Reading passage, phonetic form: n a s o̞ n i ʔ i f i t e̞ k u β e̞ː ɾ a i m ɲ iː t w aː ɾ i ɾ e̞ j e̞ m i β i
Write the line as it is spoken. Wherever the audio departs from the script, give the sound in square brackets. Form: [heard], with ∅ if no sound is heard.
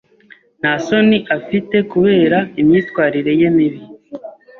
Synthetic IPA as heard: n a s o̞ n i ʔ [a] f i t e̞ k u β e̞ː ɾ a i m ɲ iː t w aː ɾ i ɾ e̞ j e̞ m i β i